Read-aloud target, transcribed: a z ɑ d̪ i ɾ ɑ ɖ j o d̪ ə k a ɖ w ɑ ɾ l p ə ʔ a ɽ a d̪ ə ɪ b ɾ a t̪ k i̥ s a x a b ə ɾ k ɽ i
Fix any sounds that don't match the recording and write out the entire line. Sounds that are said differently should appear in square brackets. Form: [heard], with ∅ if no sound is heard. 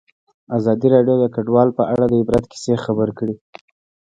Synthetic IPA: a z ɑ d̪ i ɾ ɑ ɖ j o d̪ ə k a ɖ w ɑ [∅] l p ə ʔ a ɽ a d̪ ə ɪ b ɾ a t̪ k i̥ s [e] x a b ə ɾ k ɽ i